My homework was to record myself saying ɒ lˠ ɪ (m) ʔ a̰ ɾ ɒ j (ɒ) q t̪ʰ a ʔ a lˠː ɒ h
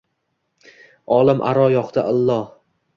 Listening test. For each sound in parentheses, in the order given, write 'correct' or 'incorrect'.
correct, correct

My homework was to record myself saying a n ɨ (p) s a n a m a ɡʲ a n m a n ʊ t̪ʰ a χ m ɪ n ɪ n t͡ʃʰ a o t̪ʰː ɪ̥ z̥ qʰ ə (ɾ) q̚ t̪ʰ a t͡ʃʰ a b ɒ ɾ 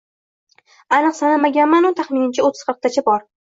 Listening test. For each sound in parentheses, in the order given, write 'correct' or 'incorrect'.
incorrect: q, correct

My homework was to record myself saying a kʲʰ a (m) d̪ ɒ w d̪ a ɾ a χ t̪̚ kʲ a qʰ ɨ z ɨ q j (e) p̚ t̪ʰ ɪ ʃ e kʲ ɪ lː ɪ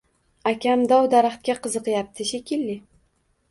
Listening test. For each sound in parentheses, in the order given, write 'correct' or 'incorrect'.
correct, incorrect: a

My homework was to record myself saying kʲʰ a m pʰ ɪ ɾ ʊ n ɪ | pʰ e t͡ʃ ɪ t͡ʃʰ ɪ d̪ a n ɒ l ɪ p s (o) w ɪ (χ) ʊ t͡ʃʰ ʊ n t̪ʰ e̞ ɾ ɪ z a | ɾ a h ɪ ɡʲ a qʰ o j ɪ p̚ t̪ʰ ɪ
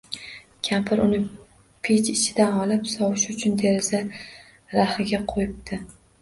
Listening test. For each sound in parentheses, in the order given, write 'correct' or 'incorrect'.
incorrect: ɒ, incorrect: ʃ

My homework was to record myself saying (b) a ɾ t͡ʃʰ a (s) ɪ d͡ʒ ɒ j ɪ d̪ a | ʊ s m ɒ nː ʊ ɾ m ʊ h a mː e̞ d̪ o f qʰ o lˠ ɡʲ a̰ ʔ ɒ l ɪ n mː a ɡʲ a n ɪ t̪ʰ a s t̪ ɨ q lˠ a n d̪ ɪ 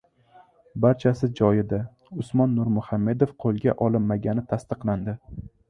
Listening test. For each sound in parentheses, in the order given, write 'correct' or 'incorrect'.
correct, correct

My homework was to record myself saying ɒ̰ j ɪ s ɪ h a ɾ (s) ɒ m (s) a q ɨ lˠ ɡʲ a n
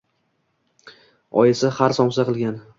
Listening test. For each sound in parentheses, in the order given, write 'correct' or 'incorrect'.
correct, correct

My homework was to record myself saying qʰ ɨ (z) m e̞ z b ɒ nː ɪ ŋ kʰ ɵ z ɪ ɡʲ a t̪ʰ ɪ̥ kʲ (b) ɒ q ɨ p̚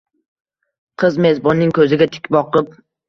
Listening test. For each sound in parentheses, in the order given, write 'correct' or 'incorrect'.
correct, correct

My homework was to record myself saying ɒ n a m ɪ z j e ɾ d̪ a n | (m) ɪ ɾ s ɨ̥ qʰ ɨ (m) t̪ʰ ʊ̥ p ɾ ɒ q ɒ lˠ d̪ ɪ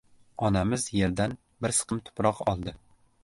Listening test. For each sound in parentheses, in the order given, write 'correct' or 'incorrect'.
incorrect: b, correct

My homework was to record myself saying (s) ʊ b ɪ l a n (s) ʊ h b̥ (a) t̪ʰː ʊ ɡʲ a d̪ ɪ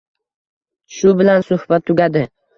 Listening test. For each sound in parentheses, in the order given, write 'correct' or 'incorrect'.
incorrect: ʃ, correct, correct

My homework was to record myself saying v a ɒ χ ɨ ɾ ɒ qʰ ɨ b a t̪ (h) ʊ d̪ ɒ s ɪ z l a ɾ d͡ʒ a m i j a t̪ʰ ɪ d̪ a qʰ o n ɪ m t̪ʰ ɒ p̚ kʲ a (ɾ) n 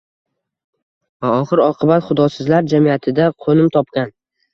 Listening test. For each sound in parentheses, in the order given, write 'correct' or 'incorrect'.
incorrect: χ, incorrect: none

